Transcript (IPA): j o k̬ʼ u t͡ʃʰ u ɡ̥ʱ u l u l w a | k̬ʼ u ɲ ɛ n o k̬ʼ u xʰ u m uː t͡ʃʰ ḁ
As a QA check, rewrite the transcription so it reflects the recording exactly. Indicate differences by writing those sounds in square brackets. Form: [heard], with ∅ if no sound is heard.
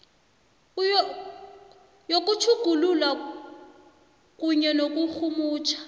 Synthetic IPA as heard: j o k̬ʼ u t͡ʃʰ u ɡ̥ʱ u l u l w a | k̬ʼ u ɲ ɛ n o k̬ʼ u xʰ u m uː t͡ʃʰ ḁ